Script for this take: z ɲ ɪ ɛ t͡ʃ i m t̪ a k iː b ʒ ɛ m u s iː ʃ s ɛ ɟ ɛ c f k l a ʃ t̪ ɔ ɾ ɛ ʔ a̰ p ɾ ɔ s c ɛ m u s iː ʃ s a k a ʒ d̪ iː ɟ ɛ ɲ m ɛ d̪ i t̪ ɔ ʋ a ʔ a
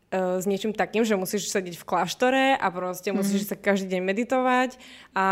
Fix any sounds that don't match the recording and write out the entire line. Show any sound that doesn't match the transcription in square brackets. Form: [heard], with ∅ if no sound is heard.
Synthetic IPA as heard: z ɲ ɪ ɛ t͡ʃ i m t̪ a k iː [m] ʒ ɛ m u s iː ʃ s ɛ ɟ ɛ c f k l a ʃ t̪ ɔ ɾ ɛ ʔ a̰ p ɾ ɔ s c ɛ m u s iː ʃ s a k a ʒ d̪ iː ɟ ɛ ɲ m ɛ d̪ i t̪ ɔ ʋ a [c] a